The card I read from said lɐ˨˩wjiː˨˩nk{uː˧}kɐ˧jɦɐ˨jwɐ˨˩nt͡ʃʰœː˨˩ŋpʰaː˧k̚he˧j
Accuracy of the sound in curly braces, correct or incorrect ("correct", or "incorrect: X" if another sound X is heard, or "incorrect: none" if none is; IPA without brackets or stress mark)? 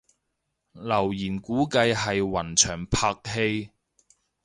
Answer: incorrect: uː˨˥